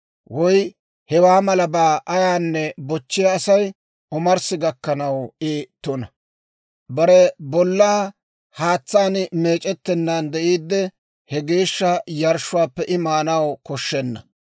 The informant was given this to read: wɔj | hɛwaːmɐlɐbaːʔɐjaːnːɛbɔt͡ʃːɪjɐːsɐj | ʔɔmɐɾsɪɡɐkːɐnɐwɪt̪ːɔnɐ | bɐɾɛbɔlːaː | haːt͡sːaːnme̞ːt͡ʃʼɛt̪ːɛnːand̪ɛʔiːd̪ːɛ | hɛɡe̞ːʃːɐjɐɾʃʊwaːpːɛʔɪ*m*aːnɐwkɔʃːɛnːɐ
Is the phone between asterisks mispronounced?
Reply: no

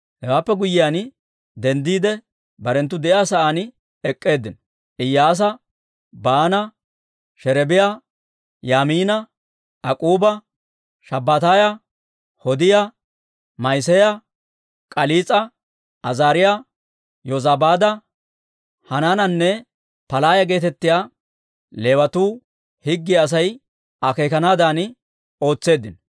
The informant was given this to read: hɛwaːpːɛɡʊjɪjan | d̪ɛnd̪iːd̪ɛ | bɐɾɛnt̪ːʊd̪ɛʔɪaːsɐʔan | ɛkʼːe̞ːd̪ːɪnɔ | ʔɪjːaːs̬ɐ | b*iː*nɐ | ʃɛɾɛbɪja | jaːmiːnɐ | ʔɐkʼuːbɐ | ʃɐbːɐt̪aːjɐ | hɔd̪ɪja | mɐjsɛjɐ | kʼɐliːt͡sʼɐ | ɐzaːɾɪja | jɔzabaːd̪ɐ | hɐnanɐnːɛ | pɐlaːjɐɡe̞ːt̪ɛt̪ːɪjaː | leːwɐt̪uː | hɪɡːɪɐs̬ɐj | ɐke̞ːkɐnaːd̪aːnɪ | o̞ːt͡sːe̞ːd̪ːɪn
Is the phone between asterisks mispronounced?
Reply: yes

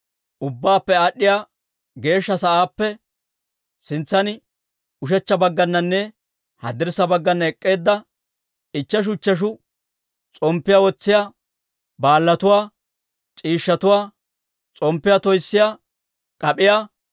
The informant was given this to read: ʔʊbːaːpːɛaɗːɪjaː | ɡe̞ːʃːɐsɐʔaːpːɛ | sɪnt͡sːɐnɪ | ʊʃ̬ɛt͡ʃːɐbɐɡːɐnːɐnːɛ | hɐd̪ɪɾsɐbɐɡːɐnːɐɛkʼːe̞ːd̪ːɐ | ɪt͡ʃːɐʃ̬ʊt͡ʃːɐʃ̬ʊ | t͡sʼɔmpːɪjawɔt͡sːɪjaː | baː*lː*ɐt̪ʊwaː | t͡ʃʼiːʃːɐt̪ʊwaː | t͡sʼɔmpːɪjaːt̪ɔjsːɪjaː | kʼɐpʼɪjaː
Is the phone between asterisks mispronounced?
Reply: no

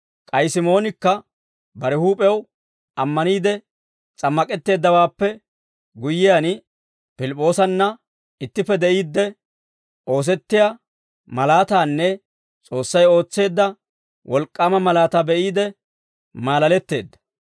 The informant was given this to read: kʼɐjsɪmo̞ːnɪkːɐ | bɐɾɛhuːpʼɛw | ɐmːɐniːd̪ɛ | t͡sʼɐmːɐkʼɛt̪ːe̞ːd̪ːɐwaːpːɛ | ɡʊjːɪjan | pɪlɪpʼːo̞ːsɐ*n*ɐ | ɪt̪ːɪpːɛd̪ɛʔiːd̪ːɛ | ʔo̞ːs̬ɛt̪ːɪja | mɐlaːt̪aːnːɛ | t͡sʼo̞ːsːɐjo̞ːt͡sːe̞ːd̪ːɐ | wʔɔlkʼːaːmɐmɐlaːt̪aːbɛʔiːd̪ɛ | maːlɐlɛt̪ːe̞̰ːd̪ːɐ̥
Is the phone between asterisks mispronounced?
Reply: yes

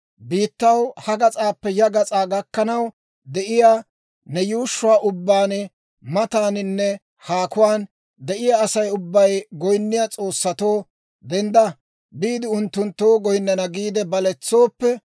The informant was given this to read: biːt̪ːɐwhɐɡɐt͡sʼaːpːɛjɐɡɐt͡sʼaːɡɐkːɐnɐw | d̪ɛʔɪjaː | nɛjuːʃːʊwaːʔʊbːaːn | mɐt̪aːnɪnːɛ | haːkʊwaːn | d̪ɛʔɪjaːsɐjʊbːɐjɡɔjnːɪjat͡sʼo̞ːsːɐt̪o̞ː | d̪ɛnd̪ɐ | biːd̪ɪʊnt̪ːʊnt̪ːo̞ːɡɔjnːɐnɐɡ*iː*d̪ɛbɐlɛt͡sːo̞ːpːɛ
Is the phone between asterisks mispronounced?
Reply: no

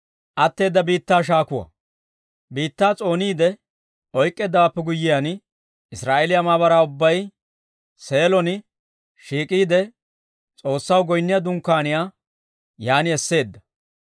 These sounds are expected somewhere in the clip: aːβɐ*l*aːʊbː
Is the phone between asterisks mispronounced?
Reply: yes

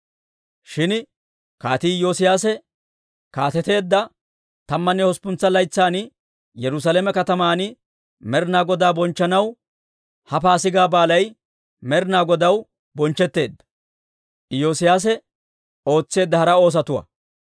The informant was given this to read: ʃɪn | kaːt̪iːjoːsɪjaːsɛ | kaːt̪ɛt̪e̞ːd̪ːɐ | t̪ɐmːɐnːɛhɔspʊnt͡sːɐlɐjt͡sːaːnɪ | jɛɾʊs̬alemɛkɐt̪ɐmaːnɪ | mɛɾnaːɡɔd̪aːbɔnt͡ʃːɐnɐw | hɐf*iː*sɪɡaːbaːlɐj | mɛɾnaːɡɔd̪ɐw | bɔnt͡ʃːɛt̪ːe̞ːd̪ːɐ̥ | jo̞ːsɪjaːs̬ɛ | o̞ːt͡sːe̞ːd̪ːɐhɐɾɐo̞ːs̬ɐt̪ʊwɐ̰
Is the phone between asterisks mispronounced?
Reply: yes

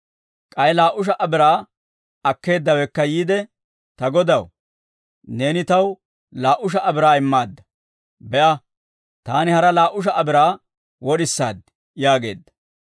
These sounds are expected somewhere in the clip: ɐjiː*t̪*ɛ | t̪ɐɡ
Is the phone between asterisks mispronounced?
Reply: yes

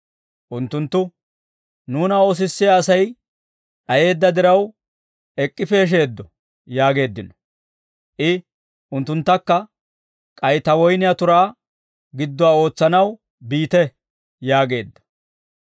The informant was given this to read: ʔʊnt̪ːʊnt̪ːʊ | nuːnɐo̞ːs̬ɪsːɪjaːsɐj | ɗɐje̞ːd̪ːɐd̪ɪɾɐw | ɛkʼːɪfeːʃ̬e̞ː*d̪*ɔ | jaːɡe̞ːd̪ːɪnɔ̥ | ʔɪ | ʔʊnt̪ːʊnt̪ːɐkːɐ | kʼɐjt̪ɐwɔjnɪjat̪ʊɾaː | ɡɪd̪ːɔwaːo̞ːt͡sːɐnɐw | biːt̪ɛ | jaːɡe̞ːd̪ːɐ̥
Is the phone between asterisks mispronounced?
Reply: yes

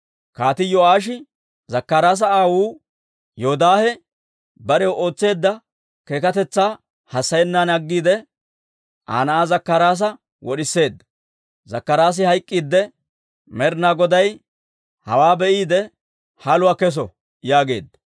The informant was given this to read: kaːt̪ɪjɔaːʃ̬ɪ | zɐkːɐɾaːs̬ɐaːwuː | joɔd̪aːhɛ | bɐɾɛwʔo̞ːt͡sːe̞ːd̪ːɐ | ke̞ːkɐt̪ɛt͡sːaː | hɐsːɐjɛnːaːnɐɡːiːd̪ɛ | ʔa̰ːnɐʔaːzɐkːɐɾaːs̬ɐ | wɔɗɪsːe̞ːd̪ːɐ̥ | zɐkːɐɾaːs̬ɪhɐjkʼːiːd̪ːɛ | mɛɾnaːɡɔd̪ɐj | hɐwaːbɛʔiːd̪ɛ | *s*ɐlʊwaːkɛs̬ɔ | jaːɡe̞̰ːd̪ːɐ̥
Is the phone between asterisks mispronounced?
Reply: yes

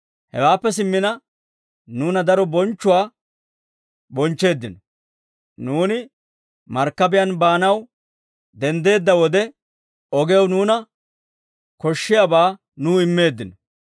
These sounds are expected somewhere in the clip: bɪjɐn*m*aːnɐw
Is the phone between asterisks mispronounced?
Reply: yes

